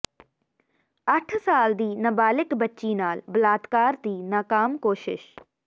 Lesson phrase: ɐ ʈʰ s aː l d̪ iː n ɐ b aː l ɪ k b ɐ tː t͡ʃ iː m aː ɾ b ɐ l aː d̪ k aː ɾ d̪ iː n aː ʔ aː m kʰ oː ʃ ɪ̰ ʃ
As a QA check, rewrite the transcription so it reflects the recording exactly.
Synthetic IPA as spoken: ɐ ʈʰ s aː l d̪ iː n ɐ b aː l ɪ k b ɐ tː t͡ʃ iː n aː l b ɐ l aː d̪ k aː ɾ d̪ iː n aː k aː m k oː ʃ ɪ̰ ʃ